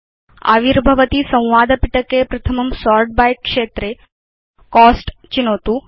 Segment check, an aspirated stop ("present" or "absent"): present